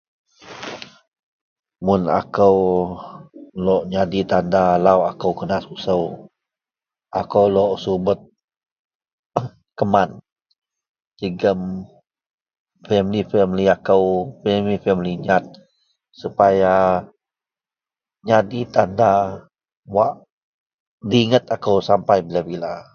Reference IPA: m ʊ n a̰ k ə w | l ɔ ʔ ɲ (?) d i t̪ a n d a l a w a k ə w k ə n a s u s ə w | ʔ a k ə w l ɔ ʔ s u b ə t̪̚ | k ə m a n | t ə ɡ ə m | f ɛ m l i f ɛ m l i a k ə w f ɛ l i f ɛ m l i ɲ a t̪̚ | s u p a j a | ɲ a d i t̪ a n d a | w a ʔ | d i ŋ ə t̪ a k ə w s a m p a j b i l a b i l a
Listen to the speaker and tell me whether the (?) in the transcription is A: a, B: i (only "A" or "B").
A